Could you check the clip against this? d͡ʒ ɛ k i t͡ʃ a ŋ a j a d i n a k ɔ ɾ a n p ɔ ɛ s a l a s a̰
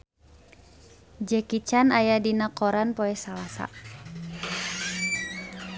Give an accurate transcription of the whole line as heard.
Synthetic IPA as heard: d͡ʒ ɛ k i t͡ʃ a n a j a d i n a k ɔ ɾ a n p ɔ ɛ s a l a s a̰